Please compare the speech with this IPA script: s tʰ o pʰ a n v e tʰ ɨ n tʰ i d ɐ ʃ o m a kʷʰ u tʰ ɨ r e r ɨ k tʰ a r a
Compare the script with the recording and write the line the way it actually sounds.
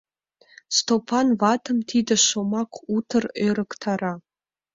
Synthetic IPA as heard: s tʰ o pʰ a n v a tʰ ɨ m tʰ i d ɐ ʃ o m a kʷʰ u tʰ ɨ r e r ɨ k tʰ a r a